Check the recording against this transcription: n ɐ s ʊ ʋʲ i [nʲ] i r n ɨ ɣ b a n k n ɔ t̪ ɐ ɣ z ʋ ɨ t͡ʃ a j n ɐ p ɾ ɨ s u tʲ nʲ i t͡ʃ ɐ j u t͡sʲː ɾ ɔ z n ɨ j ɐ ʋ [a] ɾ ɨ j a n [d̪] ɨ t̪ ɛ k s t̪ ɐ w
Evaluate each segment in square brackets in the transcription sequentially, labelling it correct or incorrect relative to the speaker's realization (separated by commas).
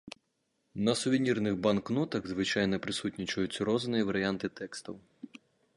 correct, incorrect, incorrect